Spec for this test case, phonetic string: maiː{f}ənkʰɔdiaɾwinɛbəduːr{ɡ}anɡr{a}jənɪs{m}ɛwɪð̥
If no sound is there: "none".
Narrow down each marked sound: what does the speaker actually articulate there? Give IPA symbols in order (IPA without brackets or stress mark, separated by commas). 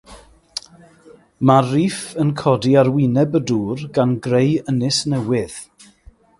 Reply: f, ɡ, e, n